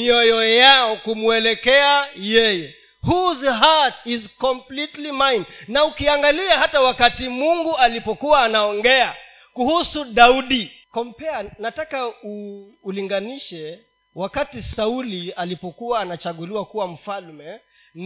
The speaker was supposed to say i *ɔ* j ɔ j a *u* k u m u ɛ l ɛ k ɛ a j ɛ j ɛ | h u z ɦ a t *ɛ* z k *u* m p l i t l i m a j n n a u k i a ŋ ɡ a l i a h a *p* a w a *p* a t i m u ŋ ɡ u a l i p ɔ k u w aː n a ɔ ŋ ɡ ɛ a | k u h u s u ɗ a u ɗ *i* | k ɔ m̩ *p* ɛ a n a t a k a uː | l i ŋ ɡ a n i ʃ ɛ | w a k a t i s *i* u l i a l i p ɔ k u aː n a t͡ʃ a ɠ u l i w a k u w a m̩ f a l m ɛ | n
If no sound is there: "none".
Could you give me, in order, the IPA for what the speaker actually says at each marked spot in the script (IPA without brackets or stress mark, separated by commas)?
ɔ, ɔ, i, ɔ, t, k, i, p, a